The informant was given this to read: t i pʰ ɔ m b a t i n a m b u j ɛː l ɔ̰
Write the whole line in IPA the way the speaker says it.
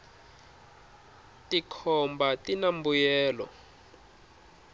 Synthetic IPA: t i kʰ ɔ m b a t i n a m b u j ɛː l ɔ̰